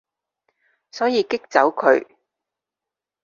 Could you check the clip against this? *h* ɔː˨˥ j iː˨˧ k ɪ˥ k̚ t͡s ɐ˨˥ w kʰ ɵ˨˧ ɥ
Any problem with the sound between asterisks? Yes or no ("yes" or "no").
yes